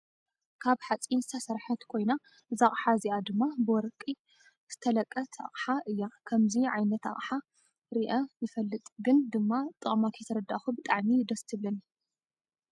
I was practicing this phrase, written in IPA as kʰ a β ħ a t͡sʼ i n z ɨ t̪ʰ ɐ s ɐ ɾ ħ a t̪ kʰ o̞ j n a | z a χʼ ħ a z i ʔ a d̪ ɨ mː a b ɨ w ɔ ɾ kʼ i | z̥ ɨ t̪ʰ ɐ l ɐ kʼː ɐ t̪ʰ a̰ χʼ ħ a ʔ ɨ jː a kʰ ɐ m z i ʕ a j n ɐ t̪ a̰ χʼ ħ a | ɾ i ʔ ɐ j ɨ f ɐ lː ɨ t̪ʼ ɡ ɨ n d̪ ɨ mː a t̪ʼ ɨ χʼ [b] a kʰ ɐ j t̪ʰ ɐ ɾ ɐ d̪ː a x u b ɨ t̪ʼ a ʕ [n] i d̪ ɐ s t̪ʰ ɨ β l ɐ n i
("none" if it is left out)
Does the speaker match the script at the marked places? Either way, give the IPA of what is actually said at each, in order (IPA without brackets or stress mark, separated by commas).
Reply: m, m